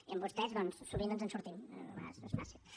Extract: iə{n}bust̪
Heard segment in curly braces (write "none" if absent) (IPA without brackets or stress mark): m